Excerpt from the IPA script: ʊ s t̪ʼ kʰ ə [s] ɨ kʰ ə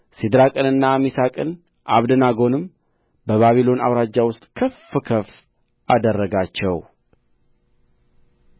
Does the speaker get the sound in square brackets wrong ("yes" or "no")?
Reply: yes